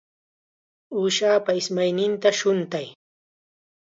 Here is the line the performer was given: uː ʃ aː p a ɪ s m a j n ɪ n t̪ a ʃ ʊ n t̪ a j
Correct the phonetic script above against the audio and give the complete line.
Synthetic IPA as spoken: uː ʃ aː p a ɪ s m a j n ɪ n t̪ a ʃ ʊ n t̪ a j

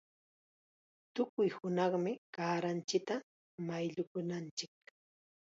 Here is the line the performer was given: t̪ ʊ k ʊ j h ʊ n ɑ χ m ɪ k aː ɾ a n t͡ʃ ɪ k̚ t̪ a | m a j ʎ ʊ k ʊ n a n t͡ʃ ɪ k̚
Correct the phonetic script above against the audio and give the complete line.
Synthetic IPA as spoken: t̪ ʊ k ʊ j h ʊ n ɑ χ m ɪ k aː ɾ a n t͡ʃ ɪ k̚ t̪ a | m a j ʎ ʊ k ʊ n a n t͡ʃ ɪ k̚

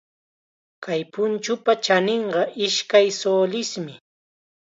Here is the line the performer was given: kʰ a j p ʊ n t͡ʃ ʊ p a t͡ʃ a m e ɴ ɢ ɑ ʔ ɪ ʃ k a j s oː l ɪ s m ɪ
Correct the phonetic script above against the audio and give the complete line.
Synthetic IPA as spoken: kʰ a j p ʊ n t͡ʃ ʊ p a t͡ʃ a n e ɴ ɢ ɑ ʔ ɪ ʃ k a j s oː l ɪ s m ɪ

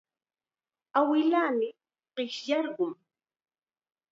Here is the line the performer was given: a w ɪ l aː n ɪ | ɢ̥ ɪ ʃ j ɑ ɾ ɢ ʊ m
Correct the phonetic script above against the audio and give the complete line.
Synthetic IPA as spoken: a w ɪ l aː m ɪ | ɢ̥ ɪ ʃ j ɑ ɾ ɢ ʊ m

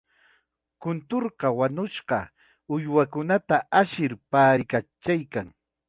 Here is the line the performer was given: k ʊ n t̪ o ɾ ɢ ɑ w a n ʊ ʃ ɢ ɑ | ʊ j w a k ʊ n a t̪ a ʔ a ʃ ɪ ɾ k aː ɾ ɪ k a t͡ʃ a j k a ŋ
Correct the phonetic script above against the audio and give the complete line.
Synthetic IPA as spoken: k ʊ n t̪ o ɾ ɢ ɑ w a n ʊ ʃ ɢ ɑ | ʊ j w a k ʊ n a t̪ a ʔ a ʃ ɪ ɾ p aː ɾ ɪ k a t͡ʃ a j k a ŋ

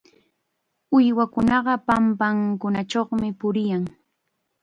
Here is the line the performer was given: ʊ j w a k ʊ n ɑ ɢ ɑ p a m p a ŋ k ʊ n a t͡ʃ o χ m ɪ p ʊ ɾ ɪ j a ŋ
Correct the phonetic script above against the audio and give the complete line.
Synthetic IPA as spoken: ʊ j w a k ʊ n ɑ ɢ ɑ p a m p a ŋ k ʊ n a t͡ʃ o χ m ɪ p ʊ ɾ ɪ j a ŋ

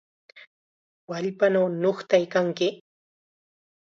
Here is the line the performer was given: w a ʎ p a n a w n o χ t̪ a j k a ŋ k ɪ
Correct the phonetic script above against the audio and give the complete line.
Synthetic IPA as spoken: w a ʎ p a n a w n o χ t̪ a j k a ŋ k ɪ

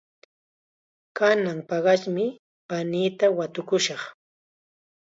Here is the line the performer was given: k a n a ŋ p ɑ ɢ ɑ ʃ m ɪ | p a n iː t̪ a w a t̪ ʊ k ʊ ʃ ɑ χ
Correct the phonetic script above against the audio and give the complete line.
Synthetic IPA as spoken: k a n a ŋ p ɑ ɢ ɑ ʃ m ɪ | p a n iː t̪ a w a t̪ ʊ k ʊ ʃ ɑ χ

